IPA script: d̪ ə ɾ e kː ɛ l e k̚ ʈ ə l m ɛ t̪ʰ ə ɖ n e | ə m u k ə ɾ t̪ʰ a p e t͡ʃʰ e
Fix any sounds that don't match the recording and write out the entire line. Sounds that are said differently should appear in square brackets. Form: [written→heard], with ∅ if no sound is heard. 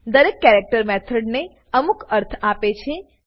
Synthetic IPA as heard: d̪ ə ɾ e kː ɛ [l→ɾ] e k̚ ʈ ə [l→ɾ] m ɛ t̪ʰ ə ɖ n e | ə m u k ə ɾ t̪ʰ a p e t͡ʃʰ e